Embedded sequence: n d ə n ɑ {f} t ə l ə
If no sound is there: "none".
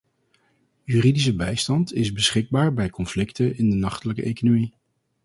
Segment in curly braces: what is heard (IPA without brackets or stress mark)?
χ